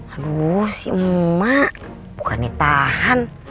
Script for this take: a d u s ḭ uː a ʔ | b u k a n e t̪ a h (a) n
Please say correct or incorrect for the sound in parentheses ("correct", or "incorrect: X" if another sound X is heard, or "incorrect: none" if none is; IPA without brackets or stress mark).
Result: correct